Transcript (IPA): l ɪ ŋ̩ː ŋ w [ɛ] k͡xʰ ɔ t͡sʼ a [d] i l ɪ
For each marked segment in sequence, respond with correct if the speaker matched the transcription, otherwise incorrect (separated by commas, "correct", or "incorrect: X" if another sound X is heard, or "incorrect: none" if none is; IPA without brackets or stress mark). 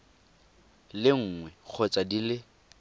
correct, correct